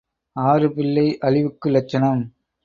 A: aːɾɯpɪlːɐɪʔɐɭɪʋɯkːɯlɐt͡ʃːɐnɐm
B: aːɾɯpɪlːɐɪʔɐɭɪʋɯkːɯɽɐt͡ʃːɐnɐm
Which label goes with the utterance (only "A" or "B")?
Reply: A